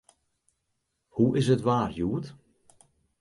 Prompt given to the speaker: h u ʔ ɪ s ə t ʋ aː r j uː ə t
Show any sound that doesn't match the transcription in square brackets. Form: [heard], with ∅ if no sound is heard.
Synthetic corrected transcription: h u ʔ ɪ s ə t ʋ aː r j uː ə t